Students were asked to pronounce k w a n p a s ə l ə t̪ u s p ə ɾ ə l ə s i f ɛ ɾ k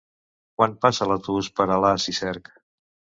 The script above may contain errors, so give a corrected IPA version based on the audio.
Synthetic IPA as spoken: k w a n p a s ə l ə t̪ u s p ə ɾ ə l a s i s ɛ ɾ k